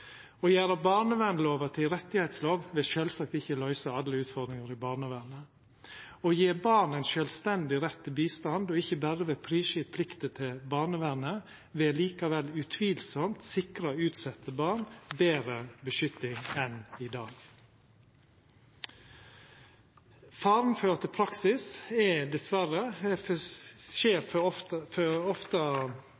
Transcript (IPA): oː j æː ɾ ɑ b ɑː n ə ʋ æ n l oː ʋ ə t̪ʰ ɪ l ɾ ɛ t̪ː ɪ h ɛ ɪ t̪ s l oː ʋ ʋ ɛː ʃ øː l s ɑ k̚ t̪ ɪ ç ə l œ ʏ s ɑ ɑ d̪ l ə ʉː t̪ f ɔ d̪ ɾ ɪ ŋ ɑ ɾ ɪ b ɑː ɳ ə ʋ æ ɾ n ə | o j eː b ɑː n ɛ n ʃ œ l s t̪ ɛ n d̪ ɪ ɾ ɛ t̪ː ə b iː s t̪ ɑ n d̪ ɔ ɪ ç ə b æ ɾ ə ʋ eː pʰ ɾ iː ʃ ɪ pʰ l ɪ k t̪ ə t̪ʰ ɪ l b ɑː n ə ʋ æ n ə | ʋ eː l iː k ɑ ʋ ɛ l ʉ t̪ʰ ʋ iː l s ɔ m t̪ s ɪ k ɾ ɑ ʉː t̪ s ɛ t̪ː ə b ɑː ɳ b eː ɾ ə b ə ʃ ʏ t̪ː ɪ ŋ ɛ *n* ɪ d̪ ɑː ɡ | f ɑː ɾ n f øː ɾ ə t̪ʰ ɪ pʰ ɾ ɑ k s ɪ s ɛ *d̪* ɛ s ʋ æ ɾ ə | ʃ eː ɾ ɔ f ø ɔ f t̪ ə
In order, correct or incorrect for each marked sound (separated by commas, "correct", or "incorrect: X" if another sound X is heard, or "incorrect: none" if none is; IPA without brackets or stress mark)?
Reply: correct, correct